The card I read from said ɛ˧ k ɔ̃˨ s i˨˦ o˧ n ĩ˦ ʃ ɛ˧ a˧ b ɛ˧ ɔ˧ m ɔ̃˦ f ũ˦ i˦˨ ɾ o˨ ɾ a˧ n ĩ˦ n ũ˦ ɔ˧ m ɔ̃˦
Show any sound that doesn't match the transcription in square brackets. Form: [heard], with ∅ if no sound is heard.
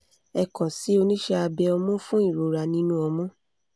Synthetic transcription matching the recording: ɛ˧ k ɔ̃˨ s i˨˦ o˧ n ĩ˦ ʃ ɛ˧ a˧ b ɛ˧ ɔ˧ m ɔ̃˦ f ũ˦ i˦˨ ɾ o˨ ɾ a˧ n ĩ˦ n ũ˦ ɔ˧ m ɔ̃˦